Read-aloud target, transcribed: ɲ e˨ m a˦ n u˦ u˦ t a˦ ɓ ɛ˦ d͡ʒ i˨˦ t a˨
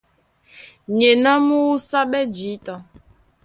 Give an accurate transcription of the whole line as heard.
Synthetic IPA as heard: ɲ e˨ n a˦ m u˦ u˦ s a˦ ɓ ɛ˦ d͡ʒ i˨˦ t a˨